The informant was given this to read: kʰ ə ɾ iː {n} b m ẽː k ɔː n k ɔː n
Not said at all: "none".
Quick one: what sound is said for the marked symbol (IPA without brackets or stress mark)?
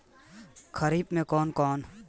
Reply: none